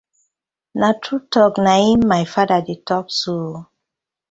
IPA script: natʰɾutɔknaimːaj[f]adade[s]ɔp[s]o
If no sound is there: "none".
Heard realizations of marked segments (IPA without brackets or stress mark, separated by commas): f, t, s